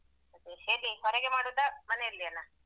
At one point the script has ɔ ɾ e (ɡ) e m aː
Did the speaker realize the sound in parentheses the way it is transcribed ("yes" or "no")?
yes